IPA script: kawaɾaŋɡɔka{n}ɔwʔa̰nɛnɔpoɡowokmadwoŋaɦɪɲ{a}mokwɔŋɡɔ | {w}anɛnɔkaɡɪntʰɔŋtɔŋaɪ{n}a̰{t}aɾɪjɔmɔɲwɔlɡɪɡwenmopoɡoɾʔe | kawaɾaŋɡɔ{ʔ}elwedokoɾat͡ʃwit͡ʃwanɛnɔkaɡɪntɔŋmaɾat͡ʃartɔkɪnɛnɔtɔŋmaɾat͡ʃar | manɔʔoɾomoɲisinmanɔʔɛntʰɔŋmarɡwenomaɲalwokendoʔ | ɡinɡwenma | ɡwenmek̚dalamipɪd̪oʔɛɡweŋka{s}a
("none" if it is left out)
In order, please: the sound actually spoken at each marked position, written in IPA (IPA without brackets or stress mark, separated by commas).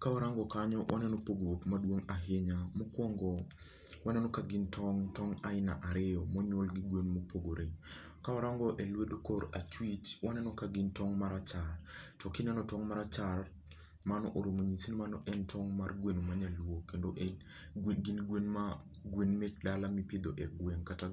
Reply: ɲ, a, w, n, ʔ, ʔ, t